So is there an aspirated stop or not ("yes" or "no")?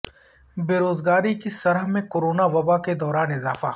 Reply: no